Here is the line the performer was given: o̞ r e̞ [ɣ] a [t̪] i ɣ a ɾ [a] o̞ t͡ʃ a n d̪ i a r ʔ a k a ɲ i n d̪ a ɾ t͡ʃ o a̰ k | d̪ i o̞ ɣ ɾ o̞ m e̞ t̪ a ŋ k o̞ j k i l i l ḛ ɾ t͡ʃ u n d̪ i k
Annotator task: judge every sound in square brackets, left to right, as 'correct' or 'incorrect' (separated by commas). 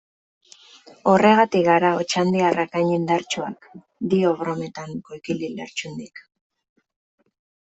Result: correct, correct, correct